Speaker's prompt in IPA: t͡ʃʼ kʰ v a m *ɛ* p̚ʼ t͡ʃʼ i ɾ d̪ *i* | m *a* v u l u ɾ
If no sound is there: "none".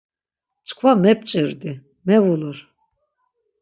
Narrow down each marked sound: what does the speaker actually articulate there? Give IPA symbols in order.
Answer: ɛ, i, ɛ

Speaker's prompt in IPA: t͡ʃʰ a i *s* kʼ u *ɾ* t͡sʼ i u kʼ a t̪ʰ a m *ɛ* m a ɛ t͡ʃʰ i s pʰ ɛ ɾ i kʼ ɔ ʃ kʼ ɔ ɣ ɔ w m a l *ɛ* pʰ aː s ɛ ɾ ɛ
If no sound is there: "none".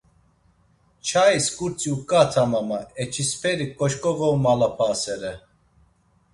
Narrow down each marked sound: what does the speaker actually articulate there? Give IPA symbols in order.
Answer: s, ɾ, a, a

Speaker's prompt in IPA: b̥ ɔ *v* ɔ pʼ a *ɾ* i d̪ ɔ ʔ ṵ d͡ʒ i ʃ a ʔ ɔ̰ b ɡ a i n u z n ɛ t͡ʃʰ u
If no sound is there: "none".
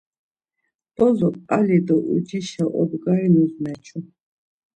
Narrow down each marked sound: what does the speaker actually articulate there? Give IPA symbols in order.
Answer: z, l

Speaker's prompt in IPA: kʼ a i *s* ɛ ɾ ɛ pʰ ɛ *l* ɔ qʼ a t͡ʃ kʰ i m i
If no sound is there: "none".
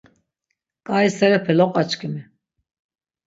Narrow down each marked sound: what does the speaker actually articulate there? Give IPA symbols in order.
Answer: s, l

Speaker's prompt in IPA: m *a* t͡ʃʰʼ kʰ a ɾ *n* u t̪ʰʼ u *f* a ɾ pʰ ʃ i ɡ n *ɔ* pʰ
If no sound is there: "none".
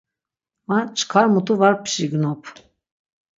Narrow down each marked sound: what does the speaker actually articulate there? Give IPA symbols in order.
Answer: a, m, v, ɔ

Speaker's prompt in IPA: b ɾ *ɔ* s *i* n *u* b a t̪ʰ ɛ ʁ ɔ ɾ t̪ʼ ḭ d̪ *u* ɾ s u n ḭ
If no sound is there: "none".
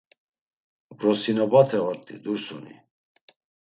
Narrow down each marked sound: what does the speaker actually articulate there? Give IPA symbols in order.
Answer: ɔ, i, ɔ, u

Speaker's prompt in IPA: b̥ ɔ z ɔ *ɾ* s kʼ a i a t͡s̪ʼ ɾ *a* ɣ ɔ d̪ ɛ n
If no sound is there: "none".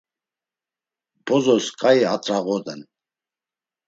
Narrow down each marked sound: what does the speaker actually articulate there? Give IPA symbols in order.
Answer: none, a

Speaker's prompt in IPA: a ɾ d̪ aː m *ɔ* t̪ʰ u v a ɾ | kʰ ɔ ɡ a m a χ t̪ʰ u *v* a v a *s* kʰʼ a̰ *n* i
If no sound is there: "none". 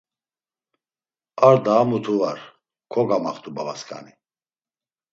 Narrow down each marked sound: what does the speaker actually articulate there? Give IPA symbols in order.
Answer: u, b, s, n

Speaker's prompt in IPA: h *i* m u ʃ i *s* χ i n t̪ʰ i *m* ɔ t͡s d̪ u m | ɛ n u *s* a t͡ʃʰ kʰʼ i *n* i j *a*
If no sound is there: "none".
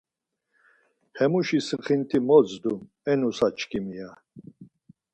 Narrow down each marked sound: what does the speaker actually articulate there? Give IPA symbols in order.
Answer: ɛ, s, m, s, m, a

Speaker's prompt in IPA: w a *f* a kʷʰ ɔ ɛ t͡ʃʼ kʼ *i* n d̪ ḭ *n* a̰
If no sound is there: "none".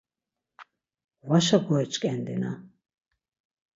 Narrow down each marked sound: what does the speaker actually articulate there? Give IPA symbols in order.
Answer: ʃ, ɛ, n

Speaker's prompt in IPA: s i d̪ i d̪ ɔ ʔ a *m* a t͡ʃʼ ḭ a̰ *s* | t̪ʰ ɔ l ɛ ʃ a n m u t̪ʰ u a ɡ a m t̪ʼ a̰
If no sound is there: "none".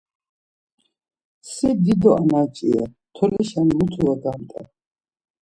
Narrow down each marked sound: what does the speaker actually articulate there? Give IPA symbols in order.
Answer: n, none

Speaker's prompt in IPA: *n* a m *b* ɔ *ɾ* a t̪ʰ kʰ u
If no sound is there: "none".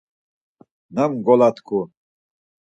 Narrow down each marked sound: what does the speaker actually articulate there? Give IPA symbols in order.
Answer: n, ɡ, l

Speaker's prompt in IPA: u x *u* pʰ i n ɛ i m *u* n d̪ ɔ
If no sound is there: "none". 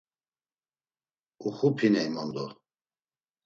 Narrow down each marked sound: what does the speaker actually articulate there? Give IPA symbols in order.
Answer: u, ɔ

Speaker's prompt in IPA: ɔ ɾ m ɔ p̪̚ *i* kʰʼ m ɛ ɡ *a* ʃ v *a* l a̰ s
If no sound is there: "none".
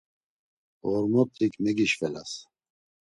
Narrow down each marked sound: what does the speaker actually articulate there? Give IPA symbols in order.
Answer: i, i, ɛ

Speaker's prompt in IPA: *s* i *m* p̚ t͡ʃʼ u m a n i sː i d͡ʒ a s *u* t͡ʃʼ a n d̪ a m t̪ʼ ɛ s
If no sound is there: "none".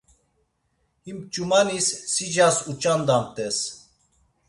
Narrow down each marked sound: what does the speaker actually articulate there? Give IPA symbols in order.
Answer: h, m, u

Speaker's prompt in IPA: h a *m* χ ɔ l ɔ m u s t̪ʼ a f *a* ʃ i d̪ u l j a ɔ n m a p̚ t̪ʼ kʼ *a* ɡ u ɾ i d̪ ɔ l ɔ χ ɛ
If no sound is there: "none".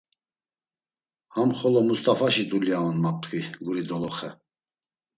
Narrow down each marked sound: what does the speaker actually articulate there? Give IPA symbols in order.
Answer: m, a, i

